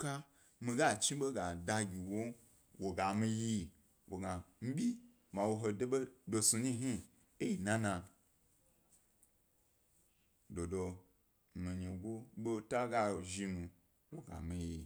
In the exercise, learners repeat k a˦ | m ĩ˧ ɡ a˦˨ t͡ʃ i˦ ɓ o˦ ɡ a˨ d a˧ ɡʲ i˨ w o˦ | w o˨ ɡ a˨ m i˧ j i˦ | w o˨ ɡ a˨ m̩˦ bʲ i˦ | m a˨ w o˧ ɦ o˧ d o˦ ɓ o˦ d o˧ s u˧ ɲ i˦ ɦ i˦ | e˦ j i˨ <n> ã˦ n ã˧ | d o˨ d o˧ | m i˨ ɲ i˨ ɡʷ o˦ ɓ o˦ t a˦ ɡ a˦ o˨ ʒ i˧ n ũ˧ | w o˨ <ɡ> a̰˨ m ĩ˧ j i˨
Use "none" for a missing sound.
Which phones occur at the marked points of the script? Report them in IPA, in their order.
n, ɡ

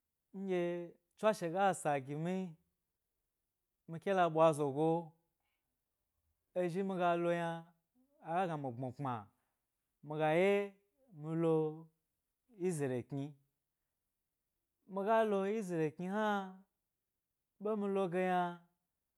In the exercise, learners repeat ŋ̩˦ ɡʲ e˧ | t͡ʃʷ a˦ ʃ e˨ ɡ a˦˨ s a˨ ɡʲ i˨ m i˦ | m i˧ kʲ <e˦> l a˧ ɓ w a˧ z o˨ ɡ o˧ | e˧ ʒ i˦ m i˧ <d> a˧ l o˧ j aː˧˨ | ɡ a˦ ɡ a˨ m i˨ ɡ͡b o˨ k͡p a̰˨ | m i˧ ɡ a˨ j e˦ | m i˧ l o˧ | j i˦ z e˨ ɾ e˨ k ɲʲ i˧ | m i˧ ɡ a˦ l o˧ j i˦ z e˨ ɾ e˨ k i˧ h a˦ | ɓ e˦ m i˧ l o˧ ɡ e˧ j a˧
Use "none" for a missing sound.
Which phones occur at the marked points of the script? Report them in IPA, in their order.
e˦, ɡ

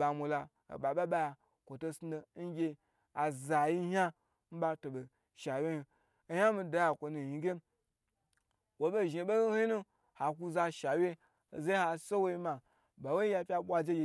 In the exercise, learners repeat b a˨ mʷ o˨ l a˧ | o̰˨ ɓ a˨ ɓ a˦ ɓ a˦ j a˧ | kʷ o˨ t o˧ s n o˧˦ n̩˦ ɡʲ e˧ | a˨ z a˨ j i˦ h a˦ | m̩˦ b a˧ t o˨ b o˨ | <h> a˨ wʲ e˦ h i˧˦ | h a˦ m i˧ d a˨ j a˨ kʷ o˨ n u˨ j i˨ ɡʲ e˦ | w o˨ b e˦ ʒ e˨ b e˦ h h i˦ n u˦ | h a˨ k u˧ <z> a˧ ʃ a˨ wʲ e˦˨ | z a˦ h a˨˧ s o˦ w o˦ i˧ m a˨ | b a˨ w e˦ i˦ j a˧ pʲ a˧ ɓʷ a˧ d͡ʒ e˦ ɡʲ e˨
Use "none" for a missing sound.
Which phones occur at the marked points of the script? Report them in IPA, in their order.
ʃ, z

